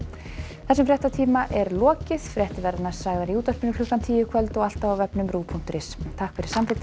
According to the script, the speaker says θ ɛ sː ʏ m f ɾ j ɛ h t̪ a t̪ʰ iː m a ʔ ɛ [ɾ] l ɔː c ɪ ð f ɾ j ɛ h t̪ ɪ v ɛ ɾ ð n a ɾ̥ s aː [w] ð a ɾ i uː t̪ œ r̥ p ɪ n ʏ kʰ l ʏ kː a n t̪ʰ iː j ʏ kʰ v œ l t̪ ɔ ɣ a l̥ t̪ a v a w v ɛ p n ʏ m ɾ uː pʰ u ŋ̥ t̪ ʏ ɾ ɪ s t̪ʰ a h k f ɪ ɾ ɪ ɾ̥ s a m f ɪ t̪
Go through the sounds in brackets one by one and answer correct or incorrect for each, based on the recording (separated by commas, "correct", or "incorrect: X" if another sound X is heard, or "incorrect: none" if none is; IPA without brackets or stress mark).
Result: correct, incorrect: ɣ